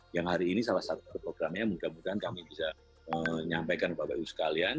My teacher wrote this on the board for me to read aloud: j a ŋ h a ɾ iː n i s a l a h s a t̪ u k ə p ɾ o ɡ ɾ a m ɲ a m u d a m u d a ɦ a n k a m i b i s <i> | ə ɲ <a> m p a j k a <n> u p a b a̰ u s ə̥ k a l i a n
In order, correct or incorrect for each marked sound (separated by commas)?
incorrect, correct, correct